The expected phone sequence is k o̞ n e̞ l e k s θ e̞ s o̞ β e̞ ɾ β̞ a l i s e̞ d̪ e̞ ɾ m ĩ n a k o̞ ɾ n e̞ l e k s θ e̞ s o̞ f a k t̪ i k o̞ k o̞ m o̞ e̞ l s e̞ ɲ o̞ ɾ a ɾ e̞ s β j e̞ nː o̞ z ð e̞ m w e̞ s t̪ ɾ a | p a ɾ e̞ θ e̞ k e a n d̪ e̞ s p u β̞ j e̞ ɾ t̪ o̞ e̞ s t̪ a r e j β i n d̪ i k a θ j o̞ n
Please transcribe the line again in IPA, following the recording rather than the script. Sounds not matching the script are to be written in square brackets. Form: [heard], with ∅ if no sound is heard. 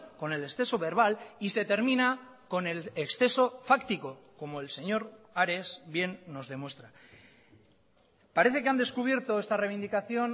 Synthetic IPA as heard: k o̞ n e̞ l e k s θ e̞ s o̞ β e̞ ɾ β̞ a l i s e̞ [t̪] e̞ ɾ m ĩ n a k o̞ [∅] n e̞ l e k s θ e̞ s o̞ f a k t̪ i k o̞ k o̞ m o̞ e̞ l s e̞ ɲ o̞ ɾ a ɾ e̞ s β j e̞ nː o̞ z ð e̞ m w e̞ s t̪ ɾ a | p a ɾ e̞ θ e̞ k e a n d̪ e̞ s [k] u β̞ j e̞ ɾ t̪ o̞ e̞ s t̪ a r e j β i n d̪ i k a θ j o̞ n